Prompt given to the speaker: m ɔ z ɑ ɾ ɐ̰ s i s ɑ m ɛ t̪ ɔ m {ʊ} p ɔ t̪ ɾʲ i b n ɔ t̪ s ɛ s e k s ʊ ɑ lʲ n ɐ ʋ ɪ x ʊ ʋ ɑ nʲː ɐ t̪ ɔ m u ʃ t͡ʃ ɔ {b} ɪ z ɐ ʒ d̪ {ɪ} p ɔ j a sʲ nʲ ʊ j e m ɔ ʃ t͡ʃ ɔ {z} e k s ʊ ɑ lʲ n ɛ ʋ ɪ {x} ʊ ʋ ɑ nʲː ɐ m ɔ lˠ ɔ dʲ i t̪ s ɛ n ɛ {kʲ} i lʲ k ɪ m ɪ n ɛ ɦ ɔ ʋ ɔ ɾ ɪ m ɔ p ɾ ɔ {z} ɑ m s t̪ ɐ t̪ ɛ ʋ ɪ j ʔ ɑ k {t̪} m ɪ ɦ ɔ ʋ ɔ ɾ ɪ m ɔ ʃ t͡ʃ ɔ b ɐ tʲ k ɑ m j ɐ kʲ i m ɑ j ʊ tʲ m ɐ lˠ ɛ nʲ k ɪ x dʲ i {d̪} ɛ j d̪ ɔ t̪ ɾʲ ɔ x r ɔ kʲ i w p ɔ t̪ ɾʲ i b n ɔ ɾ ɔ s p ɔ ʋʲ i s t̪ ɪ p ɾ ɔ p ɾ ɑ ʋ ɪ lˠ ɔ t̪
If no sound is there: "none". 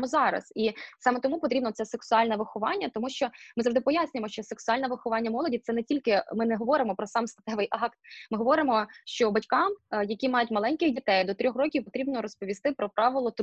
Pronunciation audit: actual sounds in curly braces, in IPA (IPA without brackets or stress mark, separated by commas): u, m, ɪ, s, x, tʲ, s, t̪, t̪